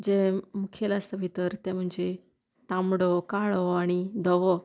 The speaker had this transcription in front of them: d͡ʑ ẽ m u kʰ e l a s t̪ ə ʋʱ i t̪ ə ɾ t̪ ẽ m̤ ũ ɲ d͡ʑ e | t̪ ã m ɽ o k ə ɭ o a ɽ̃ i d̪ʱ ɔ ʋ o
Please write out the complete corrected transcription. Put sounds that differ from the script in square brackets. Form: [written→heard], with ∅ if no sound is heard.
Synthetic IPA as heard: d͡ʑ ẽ m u kʰ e l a s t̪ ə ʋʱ i t̪ ə ɾ t̪ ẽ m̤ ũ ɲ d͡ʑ e | t̪ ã m ɽ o k [ə→a] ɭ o a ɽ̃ i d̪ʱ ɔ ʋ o